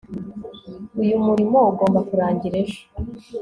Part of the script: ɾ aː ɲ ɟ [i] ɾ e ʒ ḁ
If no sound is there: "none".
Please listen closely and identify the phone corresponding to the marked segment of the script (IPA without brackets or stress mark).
i